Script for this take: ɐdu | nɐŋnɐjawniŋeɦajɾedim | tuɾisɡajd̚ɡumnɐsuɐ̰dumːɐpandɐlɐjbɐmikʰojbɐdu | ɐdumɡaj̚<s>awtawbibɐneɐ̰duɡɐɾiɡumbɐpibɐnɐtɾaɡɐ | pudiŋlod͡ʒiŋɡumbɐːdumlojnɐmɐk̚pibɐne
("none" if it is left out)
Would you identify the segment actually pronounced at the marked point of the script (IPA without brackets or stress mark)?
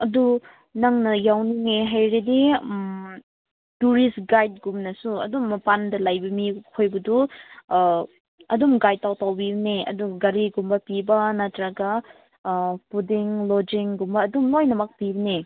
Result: t